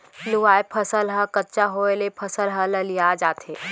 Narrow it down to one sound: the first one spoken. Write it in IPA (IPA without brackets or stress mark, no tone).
l